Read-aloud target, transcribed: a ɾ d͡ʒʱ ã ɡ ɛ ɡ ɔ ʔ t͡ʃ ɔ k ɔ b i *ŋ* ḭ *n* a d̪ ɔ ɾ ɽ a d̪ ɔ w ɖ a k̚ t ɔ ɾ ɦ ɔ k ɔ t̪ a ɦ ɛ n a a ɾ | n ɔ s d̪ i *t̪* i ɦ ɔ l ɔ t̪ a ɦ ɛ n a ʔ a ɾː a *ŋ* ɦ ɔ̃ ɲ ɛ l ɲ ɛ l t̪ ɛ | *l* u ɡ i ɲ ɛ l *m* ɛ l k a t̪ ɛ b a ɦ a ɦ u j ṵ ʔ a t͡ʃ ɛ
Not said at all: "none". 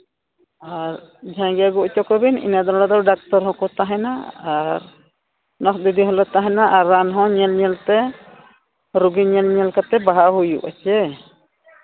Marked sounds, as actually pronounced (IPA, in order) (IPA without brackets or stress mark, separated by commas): n, n, d̪, n, ɾ, ɲ